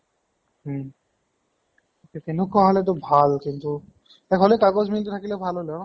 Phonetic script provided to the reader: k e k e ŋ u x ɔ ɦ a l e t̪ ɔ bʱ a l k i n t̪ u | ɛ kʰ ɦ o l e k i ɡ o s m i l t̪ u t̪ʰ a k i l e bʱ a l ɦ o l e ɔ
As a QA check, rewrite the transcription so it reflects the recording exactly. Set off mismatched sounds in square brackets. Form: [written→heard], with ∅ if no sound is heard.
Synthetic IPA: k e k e [ŋ→n] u [x→k] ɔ ɦ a l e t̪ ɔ bʱ a l k i n t̪ u | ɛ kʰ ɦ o l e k [i→a] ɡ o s m i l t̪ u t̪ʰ a k i l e bʱ a l ɦ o l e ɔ